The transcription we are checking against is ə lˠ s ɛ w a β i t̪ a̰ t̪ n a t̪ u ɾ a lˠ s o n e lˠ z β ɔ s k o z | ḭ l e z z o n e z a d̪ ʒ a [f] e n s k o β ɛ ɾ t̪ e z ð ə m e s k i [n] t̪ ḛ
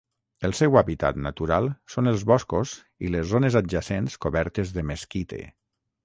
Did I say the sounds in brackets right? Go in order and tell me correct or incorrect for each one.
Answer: incorrect: s, incorrect: none

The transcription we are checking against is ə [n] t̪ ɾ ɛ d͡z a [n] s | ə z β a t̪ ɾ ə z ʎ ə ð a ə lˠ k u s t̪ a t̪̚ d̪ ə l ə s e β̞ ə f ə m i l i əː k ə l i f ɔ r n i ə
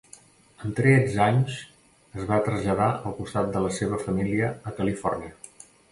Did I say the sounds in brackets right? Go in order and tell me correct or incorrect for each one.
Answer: correct, incorrect: ɲ

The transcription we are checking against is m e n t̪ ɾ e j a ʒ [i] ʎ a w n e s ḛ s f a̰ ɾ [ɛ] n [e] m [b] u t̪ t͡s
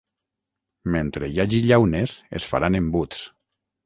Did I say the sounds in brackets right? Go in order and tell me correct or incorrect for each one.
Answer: correct, incorrect: a, correct, correct

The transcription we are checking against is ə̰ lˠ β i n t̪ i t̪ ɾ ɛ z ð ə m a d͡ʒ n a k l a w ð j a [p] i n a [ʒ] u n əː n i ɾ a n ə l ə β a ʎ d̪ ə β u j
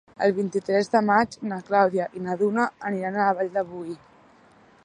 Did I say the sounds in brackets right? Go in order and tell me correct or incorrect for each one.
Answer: incorrect: ʔ, incorrect: ð

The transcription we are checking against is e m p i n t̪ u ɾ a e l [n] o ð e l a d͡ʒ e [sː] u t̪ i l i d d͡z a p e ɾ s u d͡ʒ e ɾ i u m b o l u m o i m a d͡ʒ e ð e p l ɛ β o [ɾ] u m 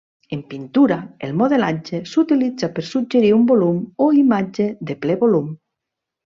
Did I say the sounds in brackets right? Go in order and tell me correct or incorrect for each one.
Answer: incorrect: m, incorrect: s, incorrect: l

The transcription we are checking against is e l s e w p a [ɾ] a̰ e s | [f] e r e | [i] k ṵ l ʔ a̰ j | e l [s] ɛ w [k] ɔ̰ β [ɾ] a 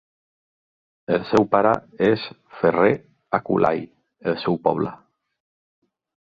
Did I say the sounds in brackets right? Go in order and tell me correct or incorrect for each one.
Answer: correct, correct, incorrect: a, correct, incorrect: p, incorrect: l

